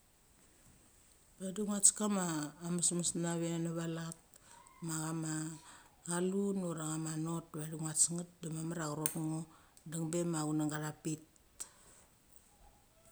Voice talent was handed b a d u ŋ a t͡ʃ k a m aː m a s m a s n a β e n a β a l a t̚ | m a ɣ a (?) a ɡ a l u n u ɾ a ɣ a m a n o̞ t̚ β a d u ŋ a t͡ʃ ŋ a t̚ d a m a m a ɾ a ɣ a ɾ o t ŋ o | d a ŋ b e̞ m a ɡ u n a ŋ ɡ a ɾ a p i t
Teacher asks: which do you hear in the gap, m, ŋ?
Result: m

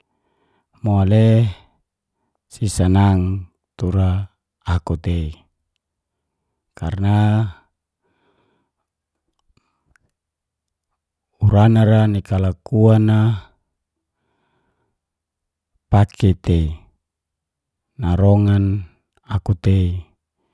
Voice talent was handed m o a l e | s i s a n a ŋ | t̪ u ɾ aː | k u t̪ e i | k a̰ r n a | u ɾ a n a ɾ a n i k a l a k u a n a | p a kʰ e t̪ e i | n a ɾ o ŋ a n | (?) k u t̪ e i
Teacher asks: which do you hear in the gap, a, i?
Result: a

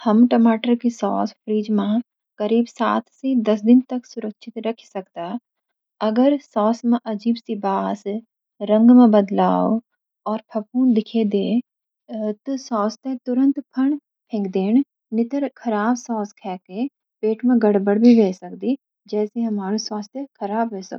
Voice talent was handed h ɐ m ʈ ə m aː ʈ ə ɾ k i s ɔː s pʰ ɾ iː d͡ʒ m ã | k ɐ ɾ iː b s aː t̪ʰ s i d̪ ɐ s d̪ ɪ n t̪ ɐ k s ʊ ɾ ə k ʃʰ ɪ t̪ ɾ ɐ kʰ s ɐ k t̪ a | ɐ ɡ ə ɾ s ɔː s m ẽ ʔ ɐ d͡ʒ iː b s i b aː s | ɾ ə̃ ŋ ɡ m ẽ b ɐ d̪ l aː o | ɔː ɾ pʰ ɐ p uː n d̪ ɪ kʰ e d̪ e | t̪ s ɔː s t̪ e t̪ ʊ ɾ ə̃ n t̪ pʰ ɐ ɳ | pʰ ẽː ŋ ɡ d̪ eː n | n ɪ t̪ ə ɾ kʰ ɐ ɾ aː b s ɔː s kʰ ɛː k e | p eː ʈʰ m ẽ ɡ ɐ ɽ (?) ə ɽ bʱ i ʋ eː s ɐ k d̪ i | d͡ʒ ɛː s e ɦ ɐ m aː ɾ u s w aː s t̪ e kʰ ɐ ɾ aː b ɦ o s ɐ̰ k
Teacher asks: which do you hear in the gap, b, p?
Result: b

